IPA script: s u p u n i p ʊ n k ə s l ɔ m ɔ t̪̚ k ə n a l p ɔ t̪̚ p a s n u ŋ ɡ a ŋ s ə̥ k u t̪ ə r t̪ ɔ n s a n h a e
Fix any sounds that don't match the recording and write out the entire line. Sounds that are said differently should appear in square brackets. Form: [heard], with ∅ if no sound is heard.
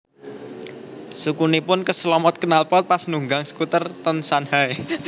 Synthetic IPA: s u [k] u n i p ʊ n k ə s l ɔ m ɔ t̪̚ k ə n a l p ɔ t̪̚ p a s n u ŋ ɡ a ŋ s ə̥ k u t̪ ə r t̪ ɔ n s a n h a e